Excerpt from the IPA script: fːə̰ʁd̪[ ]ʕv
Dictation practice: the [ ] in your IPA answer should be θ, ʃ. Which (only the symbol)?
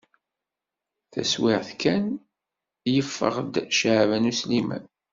ʃ